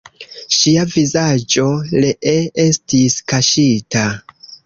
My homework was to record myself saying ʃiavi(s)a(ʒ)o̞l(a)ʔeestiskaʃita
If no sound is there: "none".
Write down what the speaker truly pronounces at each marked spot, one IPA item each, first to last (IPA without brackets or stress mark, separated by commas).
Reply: z, d͡ʒ, e